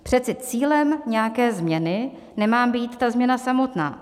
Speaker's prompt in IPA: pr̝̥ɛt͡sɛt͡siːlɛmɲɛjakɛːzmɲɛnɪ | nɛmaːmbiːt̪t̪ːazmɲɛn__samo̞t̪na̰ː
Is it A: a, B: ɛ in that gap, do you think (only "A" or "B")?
A